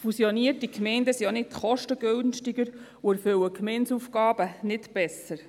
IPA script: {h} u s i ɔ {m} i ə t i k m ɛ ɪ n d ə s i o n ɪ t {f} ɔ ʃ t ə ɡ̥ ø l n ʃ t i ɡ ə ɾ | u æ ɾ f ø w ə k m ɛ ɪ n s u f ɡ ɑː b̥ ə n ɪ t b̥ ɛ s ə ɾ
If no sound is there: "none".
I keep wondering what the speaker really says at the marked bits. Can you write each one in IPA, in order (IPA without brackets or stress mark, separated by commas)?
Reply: f, n, χ